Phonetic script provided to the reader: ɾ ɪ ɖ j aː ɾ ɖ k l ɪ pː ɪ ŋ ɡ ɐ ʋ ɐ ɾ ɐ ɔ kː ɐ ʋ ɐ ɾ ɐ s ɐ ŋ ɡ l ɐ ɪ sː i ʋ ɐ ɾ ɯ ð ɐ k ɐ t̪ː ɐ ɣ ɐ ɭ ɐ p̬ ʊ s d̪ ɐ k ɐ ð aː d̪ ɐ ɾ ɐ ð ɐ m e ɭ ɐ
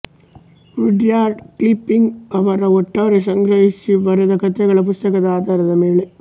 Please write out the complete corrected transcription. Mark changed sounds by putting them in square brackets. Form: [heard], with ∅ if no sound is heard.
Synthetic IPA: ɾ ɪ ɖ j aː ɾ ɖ k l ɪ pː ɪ ŋ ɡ ɐ ʋ ɐ ɾ ɐ ɔ [ʈː] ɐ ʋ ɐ ɾ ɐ s ɐ ŋ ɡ [ɾ] ɐ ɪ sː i ʋ ɐ ɾ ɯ ð ɐ k ɐ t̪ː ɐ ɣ ɐ ɭ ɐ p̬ ʊ s [t̪] ɐ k ɐ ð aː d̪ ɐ ɾ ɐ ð ɐ m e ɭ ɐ

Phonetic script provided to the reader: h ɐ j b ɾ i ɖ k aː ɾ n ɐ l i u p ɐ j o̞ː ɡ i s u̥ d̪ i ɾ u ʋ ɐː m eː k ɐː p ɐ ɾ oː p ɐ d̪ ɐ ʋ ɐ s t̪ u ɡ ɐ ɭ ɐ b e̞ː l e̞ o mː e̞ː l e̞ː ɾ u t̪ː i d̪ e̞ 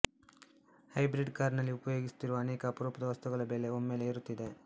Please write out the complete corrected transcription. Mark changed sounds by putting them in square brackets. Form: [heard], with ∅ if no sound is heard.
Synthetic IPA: h ɐ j b ɾ i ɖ k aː ɾ n ɐ [lː] i u p ɐ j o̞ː ɡ i s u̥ [t̪] i ɾ u ʋ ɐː [n] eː k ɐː p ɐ ɾ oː p ɐ d̪ ɐ ʋ ɐ s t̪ u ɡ ɐ ɭ ɐ b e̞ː l e̞ o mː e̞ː l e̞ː ɾ u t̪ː i d̪ e̞

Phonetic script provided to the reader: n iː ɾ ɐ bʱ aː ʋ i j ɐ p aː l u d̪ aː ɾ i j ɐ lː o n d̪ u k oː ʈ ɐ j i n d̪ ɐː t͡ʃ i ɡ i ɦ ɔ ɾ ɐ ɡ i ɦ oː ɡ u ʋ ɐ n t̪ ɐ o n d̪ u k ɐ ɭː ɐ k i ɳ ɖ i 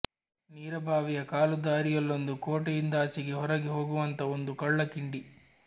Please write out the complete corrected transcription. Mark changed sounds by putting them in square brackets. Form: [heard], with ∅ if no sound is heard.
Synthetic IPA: n iː ɾ ɐ bʱ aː ʋ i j ɐ [k] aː l u d̪ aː ɾ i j ɐ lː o n d̪ u k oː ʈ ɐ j i n d̪ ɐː t͡ʃ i ɡ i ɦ ɔ ɾ ɐ ɡ i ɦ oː ɡ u ʋ ɐ n t̪ ɐ o n d̪ u k ɐ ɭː ɐ k i ɳ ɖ i

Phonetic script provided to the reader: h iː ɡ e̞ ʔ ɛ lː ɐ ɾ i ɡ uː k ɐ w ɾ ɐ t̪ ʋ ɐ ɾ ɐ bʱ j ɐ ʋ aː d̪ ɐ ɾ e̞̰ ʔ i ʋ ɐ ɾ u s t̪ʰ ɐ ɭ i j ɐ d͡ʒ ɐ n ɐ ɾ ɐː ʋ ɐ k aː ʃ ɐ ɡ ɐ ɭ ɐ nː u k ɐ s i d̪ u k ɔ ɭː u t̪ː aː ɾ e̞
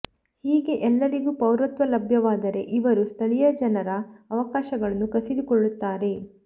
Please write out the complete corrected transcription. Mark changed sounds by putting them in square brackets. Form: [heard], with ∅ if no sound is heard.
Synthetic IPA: h iː ɡ e̞ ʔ ɛ lː ɐ ɾ i ɡ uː [p] ɐ w ɾ ɐ t̪ ʋ ɐ [l] ɐ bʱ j ɐ ʋ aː d̪ ɐ ɾ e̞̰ ʔ i ʋ ɐ ɾ u s t̪ʰ ɐ ɭ i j ɐ d͡ʒ ɐ n ɐ ɾ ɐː ʋ ɐ k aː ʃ ɐ ɡ ɐ ɭ ɐ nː u k ɐ s i d̪ u k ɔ ɭː u t̪ː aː ɾ e̞

